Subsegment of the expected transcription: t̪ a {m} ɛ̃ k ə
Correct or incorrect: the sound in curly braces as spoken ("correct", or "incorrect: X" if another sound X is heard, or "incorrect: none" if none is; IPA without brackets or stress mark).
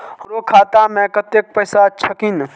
correct